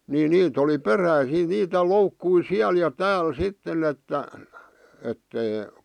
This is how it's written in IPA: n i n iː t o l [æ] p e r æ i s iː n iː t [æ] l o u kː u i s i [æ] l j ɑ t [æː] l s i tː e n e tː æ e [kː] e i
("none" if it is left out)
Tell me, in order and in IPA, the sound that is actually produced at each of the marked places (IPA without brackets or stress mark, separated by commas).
i, æ, æ, æː, tː